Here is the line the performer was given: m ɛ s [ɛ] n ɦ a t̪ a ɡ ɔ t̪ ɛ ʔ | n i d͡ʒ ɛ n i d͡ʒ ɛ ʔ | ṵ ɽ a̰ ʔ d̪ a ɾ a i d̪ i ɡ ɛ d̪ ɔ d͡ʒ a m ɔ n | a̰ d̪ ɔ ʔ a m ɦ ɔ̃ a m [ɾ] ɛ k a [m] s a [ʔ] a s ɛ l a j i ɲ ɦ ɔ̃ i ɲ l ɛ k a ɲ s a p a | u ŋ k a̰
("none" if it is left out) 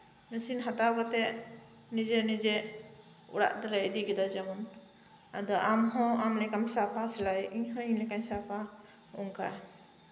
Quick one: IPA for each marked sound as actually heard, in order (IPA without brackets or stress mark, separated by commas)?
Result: i, l, m, p